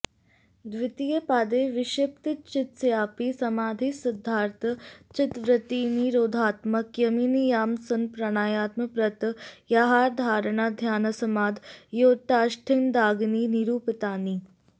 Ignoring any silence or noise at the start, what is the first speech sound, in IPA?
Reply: d̪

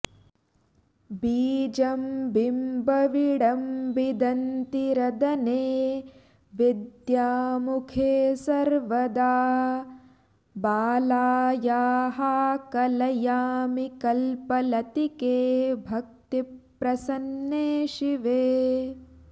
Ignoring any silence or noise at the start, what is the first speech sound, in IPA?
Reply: b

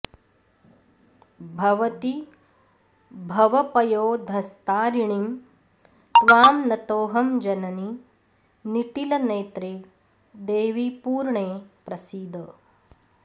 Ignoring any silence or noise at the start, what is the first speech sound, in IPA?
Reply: bʱ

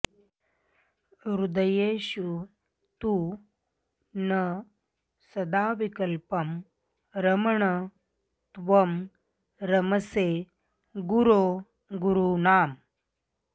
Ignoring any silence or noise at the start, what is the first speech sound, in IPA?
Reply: ɾ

